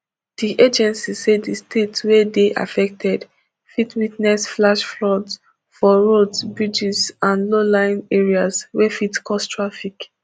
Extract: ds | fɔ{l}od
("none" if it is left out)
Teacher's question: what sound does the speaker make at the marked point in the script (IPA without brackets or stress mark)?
ɹ